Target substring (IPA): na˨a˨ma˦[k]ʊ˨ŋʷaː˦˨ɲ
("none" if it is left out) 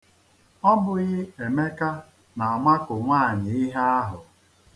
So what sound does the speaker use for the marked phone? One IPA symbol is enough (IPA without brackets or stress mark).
k